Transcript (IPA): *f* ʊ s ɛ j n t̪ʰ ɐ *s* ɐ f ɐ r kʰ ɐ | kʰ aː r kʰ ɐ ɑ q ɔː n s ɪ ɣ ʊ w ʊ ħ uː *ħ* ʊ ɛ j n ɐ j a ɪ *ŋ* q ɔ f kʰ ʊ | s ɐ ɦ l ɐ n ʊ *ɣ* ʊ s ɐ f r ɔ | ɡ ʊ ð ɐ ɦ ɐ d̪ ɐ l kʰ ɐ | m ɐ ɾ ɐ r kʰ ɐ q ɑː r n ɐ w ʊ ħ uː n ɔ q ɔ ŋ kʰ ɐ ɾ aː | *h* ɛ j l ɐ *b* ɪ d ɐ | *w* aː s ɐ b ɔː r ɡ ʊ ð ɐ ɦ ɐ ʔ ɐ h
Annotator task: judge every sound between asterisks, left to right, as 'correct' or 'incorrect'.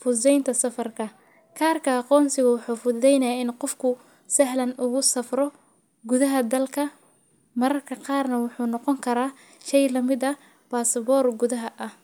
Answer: correct, correct, incorrect: f, incorrect: n, correct, incorrect: ʃ, incorrect: m, incorrect: b

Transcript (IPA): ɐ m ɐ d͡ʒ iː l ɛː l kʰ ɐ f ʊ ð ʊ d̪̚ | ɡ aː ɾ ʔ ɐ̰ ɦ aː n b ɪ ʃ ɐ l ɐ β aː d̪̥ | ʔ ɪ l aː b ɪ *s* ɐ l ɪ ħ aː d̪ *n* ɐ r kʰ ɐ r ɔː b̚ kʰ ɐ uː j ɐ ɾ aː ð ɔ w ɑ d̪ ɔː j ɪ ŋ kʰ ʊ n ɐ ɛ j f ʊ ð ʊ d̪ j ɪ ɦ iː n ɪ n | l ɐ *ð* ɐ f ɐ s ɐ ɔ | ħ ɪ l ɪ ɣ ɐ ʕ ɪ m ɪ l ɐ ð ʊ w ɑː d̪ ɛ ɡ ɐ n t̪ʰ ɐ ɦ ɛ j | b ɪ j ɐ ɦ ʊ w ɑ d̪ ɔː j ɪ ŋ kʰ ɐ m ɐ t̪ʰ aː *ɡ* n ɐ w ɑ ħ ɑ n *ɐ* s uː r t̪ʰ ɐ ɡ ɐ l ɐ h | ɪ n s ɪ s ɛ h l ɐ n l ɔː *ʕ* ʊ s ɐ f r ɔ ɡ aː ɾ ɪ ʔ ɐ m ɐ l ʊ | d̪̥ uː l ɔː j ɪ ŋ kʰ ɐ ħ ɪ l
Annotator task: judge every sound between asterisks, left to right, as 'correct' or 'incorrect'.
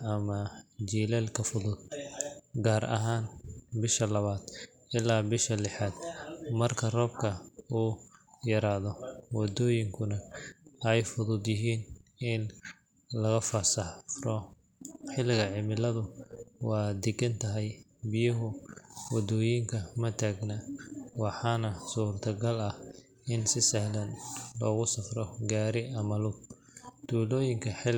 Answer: incorrect: ʃ, incorrect: m, incorrect: ɣ, correct, correct, incorrect: ɣ

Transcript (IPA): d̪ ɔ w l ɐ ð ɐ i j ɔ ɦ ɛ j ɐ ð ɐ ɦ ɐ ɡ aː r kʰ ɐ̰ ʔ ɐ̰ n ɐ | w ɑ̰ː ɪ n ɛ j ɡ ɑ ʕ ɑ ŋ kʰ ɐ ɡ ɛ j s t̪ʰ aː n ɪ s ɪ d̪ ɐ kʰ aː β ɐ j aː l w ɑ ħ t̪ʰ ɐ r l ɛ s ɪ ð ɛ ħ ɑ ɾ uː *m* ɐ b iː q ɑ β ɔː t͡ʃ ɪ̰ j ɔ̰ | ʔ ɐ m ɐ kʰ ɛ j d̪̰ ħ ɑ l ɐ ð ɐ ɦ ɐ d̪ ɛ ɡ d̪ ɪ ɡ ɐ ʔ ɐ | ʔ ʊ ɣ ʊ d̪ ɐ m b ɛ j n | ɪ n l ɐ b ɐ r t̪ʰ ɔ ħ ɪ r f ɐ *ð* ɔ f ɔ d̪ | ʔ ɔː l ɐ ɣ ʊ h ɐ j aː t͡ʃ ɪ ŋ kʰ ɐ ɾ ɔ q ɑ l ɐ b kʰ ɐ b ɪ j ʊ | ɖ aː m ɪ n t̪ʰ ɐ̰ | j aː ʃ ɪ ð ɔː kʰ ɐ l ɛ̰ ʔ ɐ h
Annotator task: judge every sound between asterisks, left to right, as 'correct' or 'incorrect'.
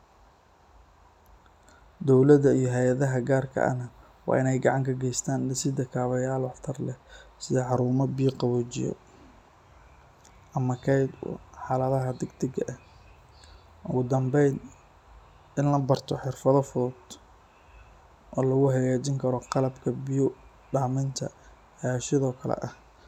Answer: correct, correct

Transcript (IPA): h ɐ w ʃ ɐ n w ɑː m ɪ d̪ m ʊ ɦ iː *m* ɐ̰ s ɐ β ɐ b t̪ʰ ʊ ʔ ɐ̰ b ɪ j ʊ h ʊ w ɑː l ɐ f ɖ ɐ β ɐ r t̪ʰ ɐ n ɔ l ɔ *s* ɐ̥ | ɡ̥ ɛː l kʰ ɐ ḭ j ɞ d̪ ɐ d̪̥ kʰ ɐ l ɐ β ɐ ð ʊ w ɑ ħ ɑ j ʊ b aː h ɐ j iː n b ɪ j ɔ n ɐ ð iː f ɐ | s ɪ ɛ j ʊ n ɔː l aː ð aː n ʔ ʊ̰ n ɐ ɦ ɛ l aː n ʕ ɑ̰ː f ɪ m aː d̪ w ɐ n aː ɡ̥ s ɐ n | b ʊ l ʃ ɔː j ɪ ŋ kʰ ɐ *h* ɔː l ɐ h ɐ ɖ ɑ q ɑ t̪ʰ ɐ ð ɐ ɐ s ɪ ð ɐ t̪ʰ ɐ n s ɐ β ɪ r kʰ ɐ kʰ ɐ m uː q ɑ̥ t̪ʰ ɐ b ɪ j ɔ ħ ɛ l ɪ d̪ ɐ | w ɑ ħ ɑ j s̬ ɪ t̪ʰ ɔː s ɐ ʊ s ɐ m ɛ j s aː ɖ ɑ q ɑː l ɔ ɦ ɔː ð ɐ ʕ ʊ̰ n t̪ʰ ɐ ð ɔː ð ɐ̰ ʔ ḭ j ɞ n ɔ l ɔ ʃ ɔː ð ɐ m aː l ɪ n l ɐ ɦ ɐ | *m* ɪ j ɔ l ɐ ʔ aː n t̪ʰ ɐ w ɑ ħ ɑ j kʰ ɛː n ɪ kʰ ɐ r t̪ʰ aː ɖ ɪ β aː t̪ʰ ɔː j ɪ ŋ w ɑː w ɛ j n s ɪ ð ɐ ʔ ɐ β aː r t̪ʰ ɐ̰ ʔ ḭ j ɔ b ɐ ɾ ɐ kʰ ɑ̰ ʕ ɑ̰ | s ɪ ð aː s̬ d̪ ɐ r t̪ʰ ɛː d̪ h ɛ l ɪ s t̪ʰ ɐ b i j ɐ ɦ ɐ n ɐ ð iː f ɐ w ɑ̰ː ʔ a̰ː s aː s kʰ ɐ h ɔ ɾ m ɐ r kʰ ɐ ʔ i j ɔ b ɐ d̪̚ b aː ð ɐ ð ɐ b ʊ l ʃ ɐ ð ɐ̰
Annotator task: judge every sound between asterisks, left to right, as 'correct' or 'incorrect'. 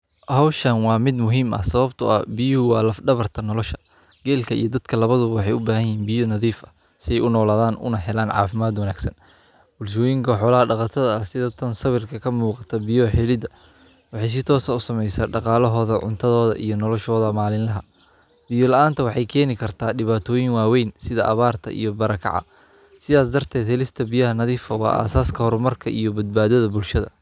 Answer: correct, incorrect: ʃ, incorrect: ħ, incorrect: b

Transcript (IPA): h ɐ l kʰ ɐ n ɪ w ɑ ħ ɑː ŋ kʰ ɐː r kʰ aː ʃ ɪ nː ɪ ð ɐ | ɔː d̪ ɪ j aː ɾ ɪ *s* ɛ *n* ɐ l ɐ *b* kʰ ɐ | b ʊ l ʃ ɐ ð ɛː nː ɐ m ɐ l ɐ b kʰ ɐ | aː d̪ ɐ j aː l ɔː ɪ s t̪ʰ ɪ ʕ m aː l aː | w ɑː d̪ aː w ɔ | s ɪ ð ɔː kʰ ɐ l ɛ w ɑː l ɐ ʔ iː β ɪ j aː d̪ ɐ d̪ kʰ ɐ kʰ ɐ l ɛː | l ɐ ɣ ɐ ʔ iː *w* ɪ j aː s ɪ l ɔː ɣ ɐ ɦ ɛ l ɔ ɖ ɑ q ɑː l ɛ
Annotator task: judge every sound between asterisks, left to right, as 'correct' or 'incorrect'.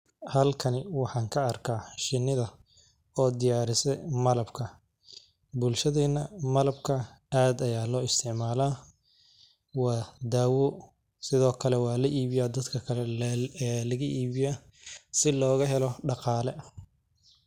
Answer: correct, incorrect: m, correct, incorrect: β

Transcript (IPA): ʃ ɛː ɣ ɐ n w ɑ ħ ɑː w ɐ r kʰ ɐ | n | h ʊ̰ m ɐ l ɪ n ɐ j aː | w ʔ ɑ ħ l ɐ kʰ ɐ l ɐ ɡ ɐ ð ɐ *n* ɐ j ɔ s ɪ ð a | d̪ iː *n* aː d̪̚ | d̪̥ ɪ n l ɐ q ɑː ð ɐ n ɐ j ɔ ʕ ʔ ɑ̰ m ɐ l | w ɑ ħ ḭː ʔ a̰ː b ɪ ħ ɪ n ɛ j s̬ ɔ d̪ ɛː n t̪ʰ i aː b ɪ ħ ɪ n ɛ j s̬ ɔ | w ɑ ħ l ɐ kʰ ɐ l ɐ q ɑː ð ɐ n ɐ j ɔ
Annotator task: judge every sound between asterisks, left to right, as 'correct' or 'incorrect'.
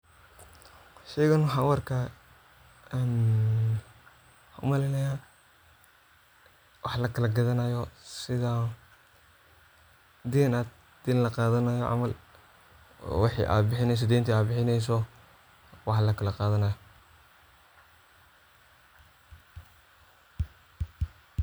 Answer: correct, correct

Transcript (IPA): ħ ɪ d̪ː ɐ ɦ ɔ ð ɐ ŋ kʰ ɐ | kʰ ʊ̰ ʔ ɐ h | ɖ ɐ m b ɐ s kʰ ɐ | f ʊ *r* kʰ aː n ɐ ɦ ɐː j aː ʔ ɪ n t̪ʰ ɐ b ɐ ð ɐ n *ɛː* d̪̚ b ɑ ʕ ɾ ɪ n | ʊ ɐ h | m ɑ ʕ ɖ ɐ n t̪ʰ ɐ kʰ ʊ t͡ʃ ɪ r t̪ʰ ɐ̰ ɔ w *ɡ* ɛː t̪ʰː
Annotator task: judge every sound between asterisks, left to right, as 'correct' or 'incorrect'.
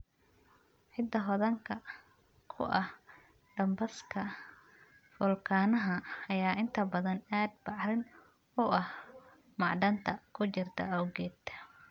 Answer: incorrect: l, incorrect: aː, correct

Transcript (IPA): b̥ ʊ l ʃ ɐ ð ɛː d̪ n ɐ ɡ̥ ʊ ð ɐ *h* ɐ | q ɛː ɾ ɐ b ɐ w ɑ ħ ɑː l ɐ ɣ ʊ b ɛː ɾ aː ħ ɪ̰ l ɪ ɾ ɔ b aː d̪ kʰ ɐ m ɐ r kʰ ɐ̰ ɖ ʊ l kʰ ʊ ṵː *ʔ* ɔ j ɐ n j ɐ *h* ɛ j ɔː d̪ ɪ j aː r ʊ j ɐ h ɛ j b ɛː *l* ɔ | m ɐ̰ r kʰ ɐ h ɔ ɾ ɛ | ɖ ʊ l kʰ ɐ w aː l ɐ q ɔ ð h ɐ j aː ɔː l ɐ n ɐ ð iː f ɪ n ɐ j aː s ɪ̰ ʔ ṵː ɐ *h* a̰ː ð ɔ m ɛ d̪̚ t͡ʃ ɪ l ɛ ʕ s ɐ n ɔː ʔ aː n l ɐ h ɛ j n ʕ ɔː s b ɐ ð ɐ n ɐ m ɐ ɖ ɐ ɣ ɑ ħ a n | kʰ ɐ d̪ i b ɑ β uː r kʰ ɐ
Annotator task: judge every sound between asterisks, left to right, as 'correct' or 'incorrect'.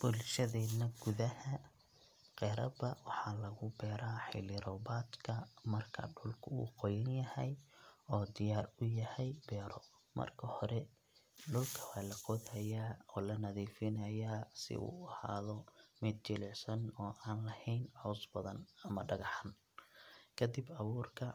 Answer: correct, incorrect: q, correct, incorrect: ɾ, correct

